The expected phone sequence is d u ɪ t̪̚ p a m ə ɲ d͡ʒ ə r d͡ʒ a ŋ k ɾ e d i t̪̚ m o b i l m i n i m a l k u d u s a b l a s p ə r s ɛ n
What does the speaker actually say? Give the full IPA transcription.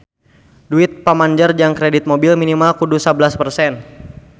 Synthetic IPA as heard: d u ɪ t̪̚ p a m a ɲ d͡ʒ ə r d͡ʒ a ŋ k ɾ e d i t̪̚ m o b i l m i n i m a l k u d u s a b l a s p ə r s ɛ n